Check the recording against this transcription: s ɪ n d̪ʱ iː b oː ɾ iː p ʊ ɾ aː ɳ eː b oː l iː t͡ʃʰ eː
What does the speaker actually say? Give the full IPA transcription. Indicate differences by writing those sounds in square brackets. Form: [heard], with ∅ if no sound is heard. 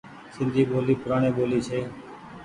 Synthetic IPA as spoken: s ɪ n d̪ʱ iː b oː [l] iː p ʊ ɾ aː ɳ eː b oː l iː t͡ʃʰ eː